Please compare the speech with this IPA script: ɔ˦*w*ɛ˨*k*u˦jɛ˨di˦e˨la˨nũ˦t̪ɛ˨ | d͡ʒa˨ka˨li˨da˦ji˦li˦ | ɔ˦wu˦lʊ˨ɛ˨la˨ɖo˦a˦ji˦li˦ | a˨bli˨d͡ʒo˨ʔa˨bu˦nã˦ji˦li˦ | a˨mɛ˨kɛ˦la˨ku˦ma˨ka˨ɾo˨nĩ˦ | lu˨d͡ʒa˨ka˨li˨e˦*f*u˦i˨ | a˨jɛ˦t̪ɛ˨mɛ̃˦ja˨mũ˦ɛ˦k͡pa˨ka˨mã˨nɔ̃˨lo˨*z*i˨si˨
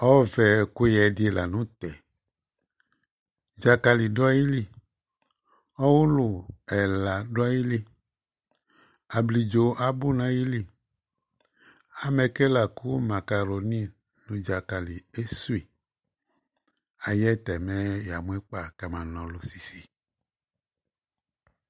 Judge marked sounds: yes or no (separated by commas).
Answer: no, yes, no, no